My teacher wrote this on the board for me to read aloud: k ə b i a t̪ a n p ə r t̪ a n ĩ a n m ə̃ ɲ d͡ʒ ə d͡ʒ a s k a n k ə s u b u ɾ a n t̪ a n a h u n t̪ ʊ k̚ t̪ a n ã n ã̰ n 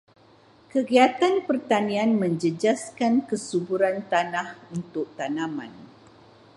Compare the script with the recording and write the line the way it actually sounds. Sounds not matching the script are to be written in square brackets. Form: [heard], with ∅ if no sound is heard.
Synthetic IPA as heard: k ə [ɡ] i a t̪ a n p ə r t̪ a n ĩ a n m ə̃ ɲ d͡ʒ ə d͡ʒ a s k a n k ə s u b u ɾ a n t̪ a n a h u n t̪ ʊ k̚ t̪ a n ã [m] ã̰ n

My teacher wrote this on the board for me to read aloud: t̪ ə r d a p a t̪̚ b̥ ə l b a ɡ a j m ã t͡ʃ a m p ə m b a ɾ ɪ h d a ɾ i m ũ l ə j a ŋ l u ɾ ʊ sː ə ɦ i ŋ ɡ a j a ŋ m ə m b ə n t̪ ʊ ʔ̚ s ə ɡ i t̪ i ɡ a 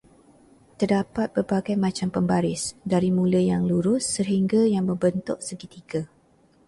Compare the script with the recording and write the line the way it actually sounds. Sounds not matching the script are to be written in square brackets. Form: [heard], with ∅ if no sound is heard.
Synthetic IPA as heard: t̪ ə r d a p a t̪̚ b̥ ə [r] b a ɡ a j m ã t͡ʃ a m p ə m b a ɾ ɪ [s] d a ɾ i m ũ l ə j a ŋ l u ɾ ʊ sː ə ɦ i ŋ ɡ a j a ŋ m ə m b ə n t̪ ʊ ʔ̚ s ə ɡ i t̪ i ɡ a

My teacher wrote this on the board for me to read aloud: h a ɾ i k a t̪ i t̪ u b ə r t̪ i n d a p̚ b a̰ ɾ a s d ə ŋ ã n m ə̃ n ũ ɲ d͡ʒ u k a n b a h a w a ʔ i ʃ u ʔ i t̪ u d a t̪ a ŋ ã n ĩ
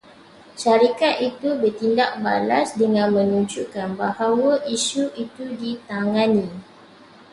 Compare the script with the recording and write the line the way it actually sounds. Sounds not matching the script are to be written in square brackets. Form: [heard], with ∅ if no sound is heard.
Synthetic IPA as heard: [ʃ] a ɾ i k a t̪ i t̪ u b ə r t̪ i n d a [k̚] b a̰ [l] a s d ə ŋ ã n m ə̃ n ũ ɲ d͡ʒ u k a n b a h a w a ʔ i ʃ u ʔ i t̪ u d [i] t̪ a ŋ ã n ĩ

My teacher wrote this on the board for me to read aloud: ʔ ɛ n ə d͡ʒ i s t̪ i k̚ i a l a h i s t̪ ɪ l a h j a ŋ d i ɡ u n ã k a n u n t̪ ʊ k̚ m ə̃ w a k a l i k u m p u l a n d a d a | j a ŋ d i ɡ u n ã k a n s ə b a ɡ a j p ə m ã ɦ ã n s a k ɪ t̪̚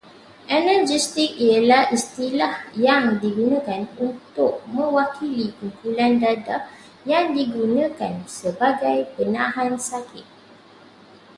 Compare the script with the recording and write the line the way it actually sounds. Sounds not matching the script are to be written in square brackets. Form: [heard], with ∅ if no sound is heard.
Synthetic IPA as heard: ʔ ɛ n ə d͡ʒ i s t̪ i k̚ i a l a h i s t̪ [i] l a h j a ŋ d i ɡ u n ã k a n u n t̪ ʊ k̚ m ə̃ w a k [i] l i k u m p u l a n d a d a | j a ŋ d i ɡ u n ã k a n s ə b a ɡ a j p ə [n] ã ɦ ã n s a k ɪ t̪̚

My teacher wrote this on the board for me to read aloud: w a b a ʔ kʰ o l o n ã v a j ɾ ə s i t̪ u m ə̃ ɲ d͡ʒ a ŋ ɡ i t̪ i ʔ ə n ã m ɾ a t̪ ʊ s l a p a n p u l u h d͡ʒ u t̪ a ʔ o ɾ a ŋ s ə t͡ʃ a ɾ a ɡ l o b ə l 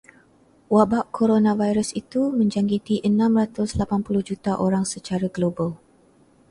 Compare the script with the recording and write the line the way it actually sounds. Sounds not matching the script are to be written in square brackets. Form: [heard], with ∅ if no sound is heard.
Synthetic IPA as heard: w a b a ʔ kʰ o [ɾ] o n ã v a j ɾ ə s i t̪ u m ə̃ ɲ d͡ʒ a ŋ ɡ i t̪ i ʔ ə n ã m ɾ a t̪ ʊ s l a p a n p u l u h d͡ʒ u t̪ a ʔ o ɾ a ŋ s ə t͡ʃ a ɾ a ɡ l o b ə l

